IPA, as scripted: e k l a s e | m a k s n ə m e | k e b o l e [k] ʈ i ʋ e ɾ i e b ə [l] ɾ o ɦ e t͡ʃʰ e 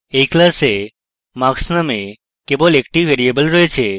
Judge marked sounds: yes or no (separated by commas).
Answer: yes, yes